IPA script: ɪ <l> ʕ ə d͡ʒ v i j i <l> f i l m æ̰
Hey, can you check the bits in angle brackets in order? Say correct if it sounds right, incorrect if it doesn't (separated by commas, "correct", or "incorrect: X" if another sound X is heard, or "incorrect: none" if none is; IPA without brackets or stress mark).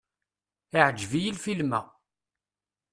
incorrect: none, correct